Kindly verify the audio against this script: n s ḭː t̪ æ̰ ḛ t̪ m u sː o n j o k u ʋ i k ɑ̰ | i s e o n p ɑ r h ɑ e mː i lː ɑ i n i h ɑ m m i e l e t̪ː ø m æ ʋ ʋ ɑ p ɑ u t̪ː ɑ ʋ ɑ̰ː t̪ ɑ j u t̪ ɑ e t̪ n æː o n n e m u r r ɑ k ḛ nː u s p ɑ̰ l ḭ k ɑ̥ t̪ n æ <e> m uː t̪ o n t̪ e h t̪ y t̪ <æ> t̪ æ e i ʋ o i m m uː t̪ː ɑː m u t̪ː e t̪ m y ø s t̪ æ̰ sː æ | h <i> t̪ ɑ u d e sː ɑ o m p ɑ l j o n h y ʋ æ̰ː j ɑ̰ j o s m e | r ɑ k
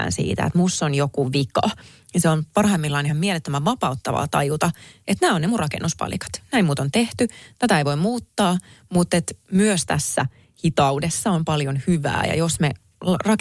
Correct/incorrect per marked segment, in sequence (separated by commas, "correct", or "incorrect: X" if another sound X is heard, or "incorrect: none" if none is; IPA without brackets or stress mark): incorrect: i, correct, correct